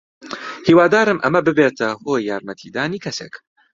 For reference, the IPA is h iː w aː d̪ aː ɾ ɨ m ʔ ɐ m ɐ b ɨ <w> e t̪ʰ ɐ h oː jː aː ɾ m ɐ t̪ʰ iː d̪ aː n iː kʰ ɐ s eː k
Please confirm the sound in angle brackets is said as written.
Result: no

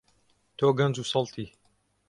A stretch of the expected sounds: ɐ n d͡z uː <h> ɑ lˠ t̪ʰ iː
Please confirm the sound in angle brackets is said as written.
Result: no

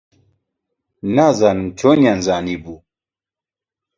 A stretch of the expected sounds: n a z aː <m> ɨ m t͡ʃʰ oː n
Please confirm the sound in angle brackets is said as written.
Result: no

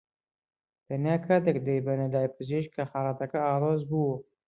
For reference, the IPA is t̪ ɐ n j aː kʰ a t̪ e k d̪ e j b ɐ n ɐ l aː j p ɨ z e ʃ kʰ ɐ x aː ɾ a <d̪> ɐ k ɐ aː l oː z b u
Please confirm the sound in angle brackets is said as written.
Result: no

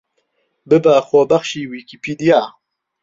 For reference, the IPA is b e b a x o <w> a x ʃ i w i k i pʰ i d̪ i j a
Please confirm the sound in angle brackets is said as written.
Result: no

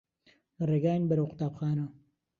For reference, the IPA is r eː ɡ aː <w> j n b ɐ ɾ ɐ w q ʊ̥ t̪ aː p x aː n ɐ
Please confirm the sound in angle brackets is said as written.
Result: no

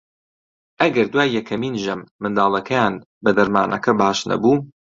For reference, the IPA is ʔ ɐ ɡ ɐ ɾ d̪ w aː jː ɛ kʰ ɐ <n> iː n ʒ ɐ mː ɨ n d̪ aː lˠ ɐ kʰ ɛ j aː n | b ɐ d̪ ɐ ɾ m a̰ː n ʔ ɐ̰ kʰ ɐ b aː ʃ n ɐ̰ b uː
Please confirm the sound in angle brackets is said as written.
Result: no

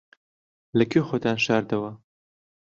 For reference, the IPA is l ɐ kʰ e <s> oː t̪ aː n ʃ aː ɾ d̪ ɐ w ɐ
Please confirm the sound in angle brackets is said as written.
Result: no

